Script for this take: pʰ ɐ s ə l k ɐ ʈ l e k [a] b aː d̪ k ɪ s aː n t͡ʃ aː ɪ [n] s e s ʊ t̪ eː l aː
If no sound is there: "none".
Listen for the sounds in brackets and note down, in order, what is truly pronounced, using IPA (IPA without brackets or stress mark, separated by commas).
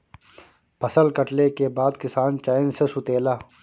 e, n